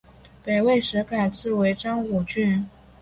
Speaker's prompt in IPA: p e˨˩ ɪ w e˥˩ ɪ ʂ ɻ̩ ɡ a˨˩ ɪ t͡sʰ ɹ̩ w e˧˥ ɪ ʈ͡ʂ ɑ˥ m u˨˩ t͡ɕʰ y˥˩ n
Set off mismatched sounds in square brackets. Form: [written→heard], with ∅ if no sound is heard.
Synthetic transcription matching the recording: p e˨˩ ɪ w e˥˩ ɪ ʂ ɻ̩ [ɡ→k] a˨˩ ɪ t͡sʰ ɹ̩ w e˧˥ ɪ ʈ͡ʂ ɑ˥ [m→ŋ] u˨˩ [t͡ɕʰ→t͡ɕ] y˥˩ n